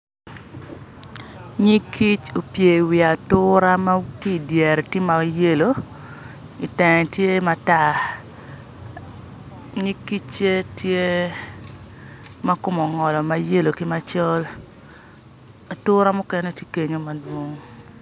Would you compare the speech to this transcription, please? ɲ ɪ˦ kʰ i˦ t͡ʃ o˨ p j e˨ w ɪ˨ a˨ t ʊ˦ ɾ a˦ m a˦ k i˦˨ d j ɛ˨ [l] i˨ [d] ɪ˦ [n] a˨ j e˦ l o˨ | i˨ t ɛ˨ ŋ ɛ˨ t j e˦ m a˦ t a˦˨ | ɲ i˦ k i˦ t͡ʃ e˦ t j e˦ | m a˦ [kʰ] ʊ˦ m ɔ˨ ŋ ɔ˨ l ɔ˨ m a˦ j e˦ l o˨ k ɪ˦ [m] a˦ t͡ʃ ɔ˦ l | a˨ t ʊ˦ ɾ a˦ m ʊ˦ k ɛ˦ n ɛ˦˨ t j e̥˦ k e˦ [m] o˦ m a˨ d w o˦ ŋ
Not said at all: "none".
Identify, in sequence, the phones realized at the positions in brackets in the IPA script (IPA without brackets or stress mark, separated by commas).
ɾ, t, m, k, m, ɲ